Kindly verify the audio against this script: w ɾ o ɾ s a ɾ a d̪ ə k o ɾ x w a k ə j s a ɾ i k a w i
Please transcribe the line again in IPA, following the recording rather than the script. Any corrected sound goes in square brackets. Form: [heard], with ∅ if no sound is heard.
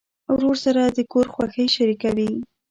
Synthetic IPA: w ɾ o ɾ s a ɾ a d̪ ə k o ɾ x w a [x] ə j [ʃ] a ɾ i k a w i